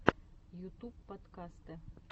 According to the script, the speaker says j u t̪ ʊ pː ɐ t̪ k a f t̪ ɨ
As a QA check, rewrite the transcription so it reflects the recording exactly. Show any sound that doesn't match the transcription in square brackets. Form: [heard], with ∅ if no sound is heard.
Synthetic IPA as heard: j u t̪ [u] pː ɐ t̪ k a [s] t̪ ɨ